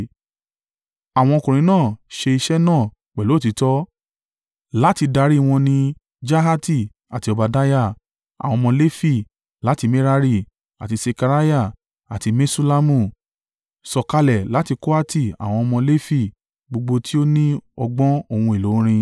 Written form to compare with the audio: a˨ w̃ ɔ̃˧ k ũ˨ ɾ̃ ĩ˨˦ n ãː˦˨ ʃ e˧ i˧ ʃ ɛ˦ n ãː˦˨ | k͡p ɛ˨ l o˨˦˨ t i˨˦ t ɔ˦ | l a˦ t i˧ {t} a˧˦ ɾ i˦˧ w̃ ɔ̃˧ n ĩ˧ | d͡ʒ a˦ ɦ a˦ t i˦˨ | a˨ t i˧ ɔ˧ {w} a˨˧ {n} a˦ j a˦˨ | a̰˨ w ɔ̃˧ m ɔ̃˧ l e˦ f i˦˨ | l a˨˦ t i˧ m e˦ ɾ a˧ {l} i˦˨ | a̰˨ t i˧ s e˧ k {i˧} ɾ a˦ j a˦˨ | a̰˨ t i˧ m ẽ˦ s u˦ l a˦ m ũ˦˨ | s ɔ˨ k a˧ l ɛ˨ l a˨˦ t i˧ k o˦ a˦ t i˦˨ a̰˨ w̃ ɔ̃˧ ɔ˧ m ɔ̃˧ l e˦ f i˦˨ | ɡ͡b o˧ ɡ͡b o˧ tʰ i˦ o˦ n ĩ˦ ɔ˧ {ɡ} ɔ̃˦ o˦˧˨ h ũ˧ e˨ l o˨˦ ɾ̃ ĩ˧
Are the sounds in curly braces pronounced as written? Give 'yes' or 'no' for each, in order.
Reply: no, no, no, no, no, no

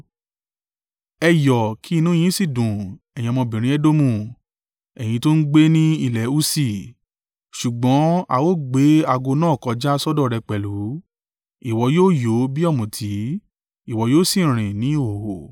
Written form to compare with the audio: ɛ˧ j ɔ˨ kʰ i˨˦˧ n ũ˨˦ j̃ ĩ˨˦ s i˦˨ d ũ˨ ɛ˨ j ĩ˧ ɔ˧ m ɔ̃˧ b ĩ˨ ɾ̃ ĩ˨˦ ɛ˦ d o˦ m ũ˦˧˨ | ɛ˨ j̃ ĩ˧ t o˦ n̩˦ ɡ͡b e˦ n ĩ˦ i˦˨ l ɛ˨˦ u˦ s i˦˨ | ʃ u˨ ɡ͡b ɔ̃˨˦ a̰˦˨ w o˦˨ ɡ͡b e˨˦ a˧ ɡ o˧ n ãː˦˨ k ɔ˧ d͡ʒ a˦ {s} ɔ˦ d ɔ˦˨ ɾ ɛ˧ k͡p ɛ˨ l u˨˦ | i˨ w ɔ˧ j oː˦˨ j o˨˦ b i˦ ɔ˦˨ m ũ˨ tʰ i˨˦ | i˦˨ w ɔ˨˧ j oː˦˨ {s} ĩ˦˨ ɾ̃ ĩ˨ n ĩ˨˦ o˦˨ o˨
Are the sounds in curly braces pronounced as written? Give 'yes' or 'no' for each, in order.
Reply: yes, yes

